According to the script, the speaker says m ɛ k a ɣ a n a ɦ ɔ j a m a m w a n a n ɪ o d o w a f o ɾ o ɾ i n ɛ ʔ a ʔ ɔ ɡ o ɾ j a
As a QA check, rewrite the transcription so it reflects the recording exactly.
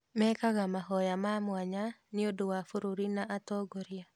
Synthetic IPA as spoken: m ɛ k a ɣ a m a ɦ ɔ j a m a m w a ɲ a n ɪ o d o w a f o ɾ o ɾ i n a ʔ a t ɔ ɡ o ɾ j a